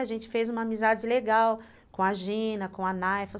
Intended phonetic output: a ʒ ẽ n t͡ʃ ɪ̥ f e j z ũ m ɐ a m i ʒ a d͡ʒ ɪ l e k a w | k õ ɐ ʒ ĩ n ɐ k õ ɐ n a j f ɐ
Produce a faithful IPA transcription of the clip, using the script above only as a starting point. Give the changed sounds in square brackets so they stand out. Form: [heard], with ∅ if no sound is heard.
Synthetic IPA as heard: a ʒ ẽ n t͡ʃ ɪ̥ f e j z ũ m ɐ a m i [z] a d͡ʒ ɪ l e [ɡ] a w | k õ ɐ ʒ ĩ n ɐ k õ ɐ n a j f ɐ